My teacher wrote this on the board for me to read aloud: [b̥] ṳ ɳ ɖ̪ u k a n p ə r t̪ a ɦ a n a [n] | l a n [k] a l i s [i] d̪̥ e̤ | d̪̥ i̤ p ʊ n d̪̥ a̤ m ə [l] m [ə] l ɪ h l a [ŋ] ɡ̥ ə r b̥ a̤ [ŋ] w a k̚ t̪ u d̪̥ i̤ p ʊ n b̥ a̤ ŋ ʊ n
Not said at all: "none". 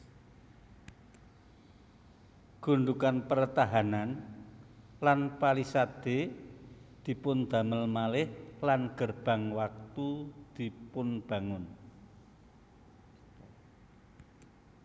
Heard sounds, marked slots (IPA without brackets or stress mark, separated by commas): ɡ̥, n, p, a, l, a, n, ŋ